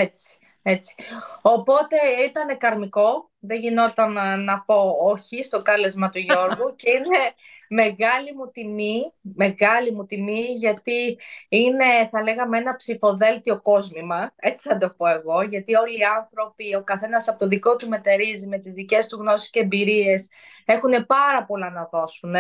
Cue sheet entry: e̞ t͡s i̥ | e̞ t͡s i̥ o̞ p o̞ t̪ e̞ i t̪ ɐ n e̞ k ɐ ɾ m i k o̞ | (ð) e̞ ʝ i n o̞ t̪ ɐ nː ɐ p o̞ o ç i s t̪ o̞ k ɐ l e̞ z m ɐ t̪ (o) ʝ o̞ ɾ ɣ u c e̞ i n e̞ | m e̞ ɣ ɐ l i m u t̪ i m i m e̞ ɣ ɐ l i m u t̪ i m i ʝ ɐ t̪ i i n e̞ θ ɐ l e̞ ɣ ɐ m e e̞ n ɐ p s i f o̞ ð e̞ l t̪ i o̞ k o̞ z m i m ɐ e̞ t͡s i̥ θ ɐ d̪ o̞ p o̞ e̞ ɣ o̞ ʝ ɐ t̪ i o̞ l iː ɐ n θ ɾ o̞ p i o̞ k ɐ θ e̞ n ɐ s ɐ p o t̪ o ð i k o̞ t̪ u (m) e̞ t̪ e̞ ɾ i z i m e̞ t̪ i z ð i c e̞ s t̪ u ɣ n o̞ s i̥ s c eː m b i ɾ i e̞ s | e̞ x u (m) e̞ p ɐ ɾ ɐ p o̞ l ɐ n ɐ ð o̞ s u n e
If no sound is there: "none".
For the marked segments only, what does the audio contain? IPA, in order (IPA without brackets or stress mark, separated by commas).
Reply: ð, u, m, n